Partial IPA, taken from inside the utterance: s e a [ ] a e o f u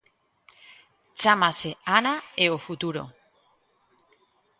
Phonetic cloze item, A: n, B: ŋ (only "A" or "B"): A